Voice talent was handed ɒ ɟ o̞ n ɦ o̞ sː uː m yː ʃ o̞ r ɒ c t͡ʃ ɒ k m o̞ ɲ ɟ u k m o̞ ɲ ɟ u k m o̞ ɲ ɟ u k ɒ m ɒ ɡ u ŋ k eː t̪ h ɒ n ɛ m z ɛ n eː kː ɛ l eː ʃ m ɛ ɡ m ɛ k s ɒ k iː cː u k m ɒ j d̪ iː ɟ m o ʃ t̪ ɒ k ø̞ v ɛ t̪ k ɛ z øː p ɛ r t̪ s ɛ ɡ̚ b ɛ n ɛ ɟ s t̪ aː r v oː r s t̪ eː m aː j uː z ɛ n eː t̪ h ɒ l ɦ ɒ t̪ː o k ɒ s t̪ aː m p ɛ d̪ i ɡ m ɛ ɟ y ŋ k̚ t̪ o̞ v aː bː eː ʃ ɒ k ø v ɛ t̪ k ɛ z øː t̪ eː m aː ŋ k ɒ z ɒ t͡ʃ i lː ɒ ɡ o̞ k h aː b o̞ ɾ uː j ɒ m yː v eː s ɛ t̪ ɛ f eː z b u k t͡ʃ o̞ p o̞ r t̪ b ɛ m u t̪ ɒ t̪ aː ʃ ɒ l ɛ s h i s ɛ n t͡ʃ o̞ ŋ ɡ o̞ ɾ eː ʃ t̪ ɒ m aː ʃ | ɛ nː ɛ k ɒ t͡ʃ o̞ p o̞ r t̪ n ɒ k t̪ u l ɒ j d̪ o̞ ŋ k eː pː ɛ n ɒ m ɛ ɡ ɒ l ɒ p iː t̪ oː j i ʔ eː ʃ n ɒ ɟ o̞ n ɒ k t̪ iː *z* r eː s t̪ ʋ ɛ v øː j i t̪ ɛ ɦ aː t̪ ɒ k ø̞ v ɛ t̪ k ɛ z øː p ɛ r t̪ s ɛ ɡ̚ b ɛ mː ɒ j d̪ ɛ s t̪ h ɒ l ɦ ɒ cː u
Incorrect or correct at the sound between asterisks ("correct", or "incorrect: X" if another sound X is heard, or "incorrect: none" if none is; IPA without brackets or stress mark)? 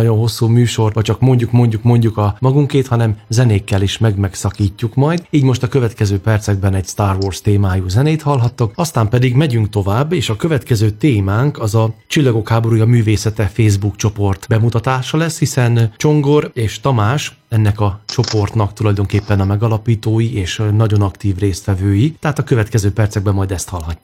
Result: incorrect: v